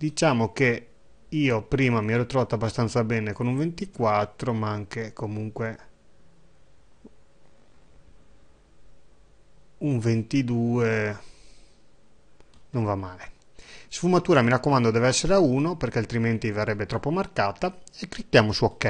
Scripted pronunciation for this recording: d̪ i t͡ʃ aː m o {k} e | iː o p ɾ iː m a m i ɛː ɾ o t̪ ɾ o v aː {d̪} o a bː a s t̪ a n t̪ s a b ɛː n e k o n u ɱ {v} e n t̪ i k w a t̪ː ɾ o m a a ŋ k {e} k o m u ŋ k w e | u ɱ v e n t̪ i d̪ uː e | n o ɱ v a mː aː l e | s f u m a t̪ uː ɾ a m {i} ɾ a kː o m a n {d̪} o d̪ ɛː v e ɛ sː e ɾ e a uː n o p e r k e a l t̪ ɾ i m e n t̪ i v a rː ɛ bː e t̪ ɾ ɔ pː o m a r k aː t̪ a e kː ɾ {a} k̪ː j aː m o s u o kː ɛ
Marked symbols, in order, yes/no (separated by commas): yes, no, yes, yes, yes, yes, no